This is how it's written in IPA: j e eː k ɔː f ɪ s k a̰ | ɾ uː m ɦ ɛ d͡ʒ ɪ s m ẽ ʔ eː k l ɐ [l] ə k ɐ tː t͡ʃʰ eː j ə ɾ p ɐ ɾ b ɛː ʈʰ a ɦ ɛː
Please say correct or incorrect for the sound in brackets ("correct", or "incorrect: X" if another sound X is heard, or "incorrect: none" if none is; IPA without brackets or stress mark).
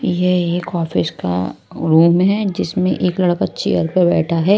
incorrect: ɽ